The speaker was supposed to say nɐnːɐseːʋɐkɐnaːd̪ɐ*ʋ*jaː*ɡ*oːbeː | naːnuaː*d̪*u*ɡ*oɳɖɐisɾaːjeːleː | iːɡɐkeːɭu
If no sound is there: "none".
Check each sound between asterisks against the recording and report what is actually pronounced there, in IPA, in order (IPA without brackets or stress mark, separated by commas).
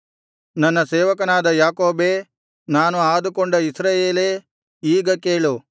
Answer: none, k, d̪, k